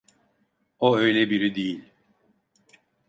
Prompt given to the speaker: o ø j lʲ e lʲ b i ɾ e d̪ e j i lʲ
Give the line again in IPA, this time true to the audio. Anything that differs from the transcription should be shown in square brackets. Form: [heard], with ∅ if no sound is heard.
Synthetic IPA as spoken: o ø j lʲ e [∅] b i ɾ [i] d̪ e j i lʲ